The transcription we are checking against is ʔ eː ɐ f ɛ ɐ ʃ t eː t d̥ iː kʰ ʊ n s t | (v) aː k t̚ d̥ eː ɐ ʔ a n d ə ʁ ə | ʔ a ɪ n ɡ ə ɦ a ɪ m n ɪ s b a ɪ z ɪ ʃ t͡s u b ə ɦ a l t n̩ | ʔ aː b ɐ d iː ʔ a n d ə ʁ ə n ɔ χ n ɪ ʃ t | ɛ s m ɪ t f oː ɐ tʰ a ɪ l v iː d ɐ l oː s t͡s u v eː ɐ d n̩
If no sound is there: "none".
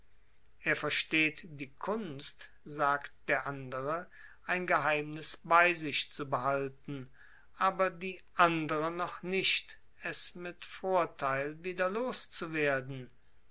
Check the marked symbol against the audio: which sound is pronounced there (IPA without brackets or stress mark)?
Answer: z